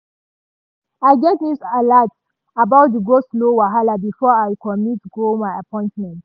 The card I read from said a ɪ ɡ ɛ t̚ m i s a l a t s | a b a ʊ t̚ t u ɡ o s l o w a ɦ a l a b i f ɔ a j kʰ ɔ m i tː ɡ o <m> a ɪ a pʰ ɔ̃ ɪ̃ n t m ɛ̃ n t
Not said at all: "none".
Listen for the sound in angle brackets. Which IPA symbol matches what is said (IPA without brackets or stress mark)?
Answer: m